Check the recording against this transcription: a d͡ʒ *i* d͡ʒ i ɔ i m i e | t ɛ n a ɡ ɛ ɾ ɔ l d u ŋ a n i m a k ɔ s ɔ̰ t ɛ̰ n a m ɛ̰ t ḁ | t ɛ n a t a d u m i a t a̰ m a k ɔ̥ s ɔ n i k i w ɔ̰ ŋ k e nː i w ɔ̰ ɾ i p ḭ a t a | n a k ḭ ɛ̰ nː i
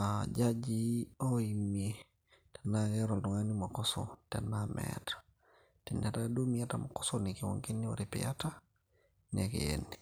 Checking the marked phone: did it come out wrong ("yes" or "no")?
yes